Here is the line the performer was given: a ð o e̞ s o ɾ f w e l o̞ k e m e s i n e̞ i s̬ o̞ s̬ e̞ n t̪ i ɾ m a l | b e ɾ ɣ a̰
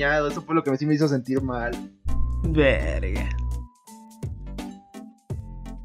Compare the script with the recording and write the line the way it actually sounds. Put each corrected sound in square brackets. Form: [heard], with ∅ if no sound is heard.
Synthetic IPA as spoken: a ð o e̞ s o [∅] f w e l o̞ k e m e s i [m] e̞ i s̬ o̞ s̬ e̞ n t̪ i ɾ m a l | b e ɾ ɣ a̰